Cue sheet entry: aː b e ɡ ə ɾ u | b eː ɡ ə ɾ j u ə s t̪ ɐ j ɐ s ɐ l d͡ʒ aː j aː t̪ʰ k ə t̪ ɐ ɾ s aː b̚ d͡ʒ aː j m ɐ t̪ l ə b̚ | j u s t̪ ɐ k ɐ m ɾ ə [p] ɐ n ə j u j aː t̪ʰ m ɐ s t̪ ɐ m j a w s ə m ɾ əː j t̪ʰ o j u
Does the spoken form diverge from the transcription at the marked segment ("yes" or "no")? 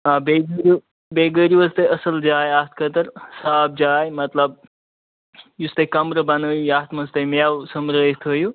yes